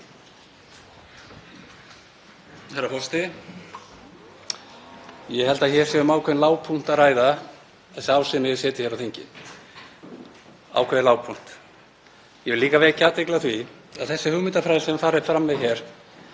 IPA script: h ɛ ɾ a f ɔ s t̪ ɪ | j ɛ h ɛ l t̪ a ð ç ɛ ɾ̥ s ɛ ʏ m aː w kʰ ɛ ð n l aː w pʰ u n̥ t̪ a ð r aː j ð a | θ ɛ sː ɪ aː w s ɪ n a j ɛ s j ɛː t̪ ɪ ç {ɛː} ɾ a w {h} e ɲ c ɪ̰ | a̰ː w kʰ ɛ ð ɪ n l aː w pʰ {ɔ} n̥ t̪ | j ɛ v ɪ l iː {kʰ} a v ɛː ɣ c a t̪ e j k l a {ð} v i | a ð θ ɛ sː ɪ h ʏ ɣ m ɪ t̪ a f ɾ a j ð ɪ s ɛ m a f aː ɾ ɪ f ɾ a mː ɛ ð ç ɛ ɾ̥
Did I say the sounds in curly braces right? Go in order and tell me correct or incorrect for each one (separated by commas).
incorrect, incorrect, incorrect, incorrect, incorrect